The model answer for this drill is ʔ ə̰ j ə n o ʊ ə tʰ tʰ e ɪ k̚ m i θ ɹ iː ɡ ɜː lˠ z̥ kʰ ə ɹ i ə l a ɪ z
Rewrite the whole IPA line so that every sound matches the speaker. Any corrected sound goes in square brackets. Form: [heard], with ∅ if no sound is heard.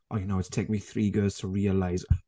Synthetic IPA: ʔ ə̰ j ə n o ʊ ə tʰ tʰ e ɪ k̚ m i θ ɹ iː ɡ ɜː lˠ z̥ [tʰ] ə ɹ i ə l a ɪ z